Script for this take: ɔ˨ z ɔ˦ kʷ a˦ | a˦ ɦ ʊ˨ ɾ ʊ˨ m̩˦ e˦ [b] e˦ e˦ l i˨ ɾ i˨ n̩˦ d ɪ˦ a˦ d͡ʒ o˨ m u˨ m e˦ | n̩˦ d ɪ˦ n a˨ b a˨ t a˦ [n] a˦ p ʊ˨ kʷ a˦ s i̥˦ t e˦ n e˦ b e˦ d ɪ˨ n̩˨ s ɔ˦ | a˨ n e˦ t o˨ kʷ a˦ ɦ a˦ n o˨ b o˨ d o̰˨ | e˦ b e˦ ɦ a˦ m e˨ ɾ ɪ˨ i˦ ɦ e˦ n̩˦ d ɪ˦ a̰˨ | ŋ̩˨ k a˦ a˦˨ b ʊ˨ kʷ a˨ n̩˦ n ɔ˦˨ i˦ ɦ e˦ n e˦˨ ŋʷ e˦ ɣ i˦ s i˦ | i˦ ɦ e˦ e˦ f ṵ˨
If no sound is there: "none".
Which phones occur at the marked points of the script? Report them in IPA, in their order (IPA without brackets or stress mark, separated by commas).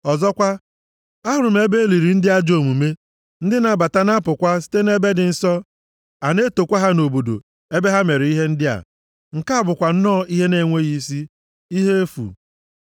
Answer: b, n